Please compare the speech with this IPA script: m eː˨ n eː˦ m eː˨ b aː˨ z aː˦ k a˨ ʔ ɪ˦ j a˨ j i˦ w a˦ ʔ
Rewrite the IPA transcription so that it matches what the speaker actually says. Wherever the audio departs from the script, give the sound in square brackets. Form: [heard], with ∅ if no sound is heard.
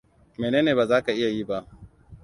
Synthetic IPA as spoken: m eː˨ n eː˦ [n] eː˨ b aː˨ z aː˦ k a˨ ʔ ɪ˦ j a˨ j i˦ [b] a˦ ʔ